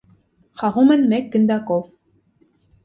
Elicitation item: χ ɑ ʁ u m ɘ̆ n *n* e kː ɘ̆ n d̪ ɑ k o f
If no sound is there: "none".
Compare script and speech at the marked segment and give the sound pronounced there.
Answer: m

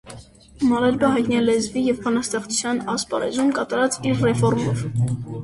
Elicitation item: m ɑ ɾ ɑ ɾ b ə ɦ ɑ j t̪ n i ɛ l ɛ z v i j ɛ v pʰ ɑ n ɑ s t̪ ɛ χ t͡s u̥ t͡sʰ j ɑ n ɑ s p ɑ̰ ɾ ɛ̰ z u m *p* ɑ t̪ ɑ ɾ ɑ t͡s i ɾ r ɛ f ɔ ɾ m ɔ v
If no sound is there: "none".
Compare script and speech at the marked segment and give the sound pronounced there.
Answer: k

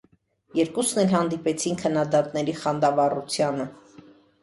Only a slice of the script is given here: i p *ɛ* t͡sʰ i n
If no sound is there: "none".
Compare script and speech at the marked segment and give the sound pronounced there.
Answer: ɛ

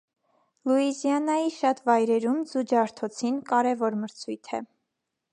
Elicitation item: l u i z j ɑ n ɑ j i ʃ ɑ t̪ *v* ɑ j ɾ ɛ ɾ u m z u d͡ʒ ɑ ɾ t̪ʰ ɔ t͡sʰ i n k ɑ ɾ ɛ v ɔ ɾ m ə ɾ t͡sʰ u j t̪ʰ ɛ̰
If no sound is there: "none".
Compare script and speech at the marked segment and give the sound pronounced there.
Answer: v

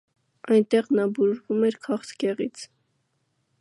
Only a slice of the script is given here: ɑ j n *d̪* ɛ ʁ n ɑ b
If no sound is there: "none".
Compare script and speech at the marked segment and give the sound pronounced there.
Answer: t̪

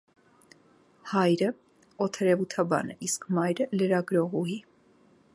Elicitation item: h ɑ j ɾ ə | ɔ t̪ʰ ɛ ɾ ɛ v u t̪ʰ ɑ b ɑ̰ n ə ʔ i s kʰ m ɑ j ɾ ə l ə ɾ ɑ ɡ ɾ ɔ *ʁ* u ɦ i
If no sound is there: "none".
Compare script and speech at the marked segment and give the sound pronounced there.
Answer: ʁ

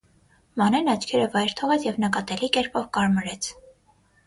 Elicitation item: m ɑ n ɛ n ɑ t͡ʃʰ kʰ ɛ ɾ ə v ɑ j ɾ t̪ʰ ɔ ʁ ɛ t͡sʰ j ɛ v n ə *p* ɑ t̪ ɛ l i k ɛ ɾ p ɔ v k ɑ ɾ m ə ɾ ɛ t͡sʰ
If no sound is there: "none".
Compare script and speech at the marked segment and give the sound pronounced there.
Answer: k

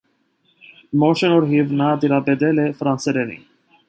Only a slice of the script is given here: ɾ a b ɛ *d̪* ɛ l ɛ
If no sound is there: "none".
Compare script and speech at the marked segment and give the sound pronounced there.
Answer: d̪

